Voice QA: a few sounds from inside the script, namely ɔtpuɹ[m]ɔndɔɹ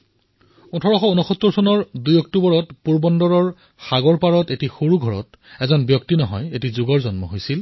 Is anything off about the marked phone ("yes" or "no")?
yes